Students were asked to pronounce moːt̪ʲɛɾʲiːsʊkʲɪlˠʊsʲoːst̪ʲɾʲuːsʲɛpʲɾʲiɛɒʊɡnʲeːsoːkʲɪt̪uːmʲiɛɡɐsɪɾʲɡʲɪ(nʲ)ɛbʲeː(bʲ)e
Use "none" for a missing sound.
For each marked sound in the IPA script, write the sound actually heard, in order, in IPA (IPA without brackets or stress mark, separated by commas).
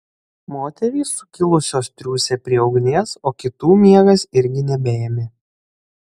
nʲ, mʲ